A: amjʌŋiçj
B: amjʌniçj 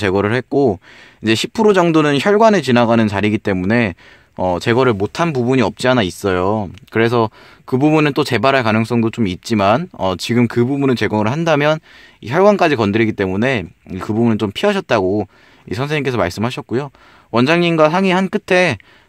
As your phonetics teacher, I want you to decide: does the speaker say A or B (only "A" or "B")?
B